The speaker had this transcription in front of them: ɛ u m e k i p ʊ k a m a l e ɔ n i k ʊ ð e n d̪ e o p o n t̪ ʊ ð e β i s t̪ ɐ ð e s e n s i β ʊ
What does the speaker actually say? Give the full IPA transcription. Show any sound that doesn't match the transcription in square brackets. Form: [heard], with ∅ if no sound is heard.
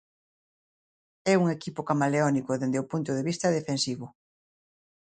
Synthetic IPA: ɛ u [ŋ] e k i p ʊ k a m a l e ɔ n i k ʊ ð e n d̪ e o p [u] n t̪ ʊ ð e β i s t̪ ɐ ð e [f] e n s i β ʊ

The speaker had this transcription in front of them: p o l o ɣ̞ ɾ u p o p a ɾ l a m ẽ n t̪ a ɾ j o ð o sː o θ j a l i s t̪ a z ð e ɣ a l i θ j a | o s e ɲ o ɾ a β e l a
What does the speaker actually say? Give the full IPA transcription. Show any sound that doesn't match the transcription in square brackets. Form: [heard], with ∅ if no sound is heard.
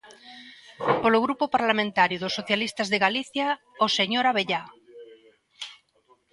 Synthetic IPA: p o l o ɣ̞ ɾ u p o p a ɾ l a m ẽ n t̪ a ɾ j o ð o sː o θ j a l i s t̪ a z ð e ɣ a l i θ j a | o s e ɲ o ɾ a β e [ʎ] a

